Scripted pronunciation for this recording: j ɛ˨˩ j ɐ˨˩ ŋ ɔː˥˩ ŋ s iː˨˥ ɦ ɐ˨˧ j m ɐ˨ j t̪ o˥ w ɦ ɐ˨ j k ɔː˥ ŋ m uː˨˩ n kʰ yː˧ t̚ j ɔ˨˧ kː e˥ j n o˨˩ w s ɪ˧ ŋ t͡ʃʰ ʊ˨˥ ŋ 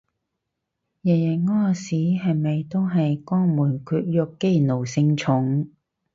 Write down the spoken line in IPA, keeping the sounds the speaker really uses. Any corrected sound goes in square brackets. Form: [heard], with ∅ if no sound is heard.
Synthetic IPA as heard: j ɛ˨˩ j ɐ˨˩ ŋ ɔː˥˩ [∅] s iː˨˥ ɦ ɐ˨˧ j m ɐ˨ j t̪ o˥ w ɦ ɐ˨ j k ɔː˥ ŋ m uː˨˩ n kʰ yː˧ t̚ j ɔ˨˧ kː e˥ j n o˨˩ w s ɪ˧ ŋ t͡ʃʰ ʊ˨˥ ŋ